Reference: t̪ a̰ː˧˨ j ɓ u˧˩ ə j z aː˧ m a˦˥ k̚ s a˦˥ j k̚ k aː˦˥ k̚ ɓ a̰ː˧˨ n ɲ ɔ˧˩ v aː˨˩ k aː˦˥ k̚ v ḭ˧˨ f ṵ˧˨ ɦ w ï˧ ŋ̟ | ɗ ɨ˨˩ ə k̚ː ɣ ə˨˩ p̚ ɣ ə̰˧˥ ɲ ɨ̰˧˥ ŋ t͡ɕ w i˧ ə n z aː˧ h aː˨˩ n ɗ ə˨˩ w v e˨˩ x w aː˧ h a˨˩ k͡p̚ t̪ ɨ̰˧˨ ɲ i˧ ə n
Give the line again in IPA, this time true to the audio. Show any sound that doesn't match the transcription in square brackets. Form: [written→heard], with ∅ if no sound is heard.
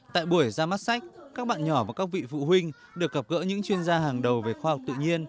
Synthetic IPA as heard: t̪ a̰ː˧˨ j ɓ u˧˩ ə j z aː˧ m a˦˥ [k̚→t̚] s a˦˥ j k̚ k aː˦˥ k̚ ɓ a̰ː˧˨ n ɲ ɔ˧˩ v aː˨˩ k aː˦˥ k̚ v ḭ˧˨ f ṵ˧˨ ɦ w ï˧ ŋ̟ | ɗ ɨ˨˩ ə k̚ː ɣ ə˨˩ p̚ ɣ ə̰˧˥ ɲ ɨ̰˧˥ ŋ t͡ɕ w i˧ ə n z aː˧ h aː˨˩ [n→ŋ] ɗ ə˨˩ w v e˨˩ x w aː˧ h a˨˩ k͡p̚ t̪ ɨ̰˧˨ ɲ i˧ ə n